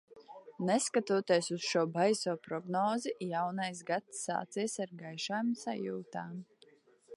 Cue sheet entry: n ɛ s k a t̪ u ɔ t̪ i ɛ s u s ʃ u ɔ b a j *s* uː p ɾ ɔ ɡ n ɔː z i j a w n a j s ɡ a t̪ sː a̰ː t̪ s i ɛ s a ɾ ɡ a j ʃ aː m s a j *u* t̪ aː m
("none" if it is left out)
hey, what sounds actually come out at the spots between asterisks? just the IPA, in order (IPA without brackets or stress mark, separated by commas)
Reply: s, uː